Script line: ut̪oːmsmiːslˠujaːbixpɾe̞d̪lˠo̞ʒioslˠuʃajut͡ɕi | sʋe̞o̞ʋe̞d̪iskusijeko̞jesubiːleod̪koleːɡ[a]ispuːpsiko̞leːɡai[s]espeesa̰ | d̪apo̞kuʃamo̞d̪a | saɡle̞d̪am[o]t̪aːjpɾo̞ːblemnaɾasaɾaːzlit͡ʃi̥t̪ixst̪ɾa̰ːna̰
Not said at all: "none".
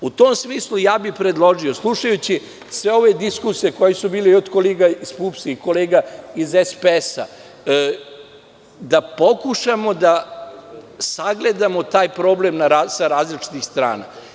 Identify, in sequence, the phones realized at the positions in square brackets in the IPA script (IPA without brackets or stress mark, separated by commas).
a, z, o